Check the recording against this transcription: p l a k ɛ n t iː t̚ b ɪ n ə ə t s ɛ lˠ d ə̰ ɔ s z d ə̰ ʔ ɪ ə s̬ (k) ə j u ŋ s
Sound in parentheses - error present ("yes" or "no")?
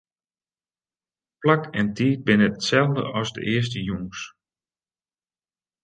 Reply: yes